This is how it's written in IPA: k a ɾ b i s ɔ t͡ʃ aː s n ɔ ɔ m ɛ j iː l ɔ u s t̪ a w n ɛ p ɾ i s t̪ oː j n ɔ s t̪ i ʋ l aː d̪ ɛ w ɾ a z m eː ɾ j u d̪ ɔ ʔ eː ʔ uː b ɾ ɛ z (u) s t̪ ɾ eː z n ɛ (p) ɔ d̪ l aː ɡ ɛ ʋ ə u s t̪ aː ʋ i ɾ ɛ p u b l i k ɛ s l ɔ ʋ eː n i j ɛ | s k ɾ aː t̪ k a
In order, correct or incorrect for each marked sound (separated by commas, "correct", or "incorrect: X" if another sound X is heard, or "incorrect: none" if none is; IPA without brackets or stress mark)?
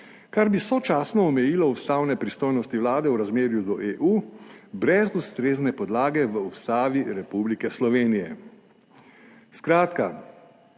correct, correct